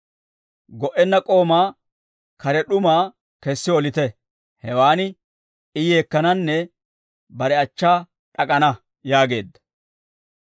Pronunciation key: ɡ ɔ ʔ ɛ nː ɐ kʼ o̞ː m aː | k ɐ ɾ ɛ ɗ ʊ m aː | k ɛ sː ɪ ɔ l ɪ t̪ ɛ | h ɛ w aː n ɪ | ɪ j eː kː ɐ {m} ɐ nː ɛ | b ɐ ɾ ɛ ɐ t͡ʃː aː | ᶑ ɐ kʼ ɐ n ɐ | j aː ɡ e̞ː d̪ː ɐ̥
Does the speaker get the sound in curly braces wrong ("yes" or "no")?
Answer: yes